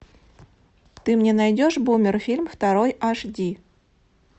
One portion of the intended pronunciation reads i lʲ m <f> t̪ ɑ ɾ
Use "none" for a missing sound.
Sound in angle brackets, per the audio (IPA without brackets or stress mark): f